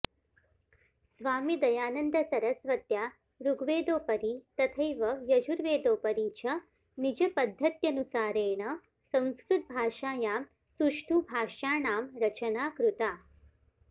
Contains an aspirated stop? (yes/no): yes